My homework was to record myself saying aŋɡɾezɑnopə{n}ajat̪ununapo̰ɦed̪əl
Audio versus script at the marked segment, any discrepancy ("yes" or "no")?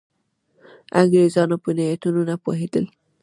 no